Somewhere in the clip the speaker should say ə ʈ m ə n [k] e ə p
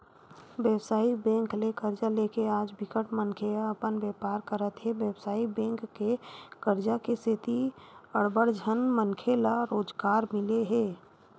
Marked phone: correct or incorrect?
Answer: incorrect: kʰ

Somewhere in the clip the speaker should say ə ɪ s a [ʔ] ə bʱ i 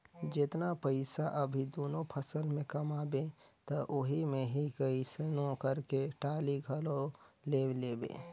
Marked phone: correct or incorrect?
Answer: correct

